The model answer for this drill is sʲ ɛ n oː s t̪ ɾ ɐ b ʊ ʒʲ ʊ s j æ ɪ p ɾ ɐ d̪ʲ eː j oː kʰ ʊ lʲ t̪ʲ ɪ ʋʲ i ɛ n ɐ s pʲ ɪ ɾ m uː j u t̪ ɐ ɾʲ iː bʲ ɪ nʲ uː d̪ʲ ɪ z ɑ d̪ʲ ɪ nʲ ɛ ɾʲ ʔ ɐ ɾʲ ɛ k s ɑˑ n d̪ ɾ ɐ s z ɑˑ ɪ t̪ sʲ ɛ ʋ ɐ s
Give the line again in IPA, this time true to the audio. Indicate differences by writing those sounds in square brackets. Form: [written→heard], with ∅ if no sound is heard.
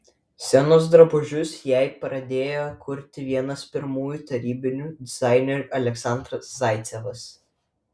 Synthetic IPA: sʲ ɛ n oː s [t̪→d̪] ɾ ɐ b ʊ ʒʲ ʊ s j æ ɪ p ɾ ɐ d̪ʲ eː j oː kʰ ʊ [lʲ→ɾʲ] t̪ʲ ɪ ʋʲ i ɛ n ɐ s pʲ ɪ ɾ m uː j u t̪ ɐ ɾʲ iː bʲ ɪ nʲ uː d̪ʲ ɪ z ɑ [d̪ʲ→∅] ɪ nʲ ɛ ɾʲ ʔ ɐ [ɾʲ→lʲ] ɛ k s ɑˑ n d̪ ɾ ɐ s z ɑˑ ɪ t̪ sʲ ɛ ʋ ɐ s